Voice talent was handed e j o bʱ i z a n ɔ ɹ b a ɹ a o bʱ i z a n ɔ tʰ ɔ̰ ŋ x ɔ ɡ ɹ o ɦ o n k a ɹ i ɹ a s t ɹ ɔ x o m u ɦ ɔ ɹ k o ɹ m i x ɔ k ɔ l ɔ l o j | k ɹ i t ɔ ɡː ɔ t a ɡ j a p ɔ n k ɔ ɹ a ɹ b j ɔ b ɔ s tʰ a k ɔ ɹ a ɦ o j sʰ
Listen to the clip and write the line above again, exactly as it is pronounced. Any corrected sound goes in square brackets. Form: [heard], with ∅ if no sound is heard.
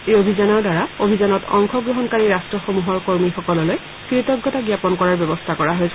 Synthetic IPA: e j o bʱ i z a n ɔ ɹ [d] a ɹ a o bʱ i z a n ɔ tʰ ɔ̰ ŋ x ɔ ɡ ɹ o ɦ [ɔ] n k a ɹ i ɹ a s t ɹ ɔ x o m u ɦ ɔ ɹ k o ɹ m i x ɔ k ɔ l ɔ l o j | k ɹ i t ɔ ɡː ɔ t a ɡ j a p ɔ n k ɔ ɹ a ɹ b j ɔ b ɔ s tʰ a k ɔ ɹ a ɦ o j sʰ